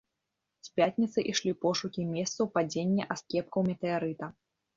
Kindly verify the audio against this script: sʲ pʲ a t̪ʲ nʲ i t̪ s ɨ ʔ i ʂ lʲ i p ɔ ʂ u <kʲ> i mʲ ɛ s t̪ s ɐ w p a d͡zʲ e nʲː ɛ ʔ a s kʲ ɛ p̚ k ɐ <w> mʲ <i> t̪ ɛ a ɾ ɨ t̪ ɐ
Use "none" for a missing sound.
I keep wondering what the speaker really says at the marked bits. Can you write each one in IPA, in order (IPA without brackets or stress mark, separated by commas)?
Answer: kʲ, w, ɛ